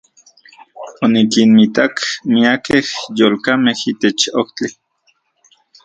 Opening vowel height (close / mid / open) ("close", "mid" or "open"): mid